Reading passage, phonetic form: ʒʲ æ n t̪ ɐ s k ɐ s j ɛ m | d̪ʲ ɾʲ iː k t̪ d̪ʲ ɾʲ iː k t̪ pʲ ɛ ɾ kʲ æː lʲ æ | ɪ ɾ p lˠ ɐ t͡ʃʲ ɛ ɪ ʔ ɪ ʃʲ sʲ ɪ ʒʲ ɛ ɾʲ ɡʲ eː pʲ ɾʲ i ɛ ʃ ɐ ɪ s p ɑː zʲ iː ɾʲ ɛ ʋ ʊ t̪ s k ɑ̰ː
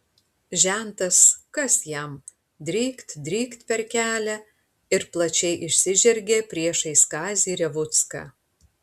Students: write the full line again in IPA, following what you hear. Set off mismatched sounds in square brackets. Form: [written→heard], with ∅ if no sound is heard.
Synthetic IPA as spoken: ʒʲ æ n t̪ ɐ s k ɐ s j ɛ m | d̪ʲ ɾʲ iː k t̪ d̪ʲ ɾʲ iː k t̪ pʲ ɛ ɾ kʲ æː lʲ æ | ɪ ɾ p lˠ ɐ t͡ʃʲ ɛ ɪ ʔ ɪ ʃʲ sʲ ɪ ʒʲ ɛ ɾʲ ɡʲ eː pʲ ɾʲ i ɛ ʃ ɐ ɪ s [p→k] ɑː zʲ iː ɾʲ ɛ ʋ ʊ t̪ s k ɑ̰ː